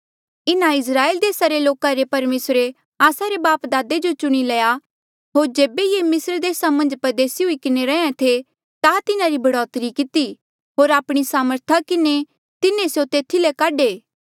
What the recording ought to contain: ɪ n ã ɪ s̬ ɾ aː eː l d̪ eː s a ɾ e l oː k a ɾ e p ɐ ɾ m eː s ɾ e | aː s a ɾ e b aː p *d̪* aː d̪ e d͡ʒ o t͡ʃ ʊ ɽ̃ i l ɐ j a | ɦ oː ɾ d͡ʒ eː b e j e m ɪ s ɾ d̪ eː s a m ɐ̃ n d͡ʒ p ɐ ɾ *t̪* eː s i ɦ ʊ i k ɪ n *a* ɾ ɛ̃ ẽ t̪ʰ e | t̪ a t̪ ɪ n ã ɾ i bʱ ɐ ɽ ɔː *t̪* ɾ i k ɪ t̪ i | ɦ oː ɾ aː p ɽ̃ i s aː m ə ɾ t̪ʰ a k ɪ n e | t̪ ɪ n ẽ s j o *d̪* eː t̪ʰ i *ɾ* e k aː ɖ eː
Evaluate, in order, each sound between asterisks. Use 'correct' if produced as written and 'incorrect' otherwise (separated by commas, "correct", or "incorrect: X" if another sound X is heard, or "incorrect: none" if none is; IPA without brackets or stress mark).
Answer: correct, incorrect: d̪, incorrect: e, correct, incorrect: t̪, incorrect: l